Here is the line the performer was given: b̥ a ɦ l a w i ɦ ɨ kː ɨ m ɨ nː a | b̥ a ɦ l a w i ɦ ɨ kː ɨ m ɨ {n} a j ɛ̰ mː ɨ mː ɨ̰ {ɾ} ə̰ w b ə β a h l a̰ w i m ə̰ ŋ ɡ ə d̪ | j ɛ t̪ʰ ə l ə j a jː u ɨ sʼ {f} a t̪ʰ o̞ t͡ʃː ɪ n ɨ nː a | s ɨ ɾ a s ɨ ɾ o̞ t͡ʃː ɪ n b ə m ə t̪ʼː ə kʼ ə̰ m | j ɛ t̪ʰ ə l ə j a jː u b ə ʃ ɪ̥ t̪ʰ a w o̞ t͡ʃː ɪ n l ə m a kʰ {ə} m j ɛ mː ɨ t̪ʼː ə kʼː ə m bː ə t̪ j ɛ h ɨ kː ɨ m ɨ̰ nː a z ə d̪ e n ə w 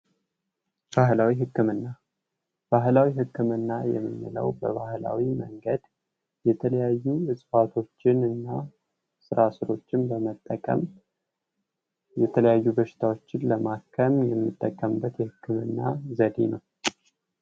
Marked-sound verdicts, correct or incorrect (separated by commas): incorrect, incorrect, correct, correct